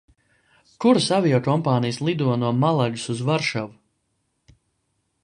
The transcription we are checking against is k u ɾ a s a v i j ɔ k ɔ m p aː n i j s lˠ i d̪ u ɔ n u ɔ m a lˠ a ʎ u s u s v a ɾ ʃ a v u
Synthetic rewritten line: k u ɾ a s a v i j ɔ k ɔ m p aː n i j s lˠ i d̪ u ɔ n u ɔ m a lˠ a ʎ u s u z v a ɾ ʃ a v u